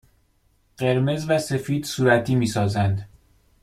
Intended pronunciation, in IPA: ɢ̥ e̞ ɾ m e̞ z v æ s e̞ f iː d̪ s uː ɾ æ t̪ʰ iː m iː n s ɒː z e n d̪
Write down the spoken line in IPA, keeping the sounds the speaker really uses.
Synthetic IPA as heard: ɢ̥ e̞ ɾ m e̞ z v æ s e̞ f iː d̪ s uː ɾ æ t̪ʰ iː m iː s ɒː z æ n d̪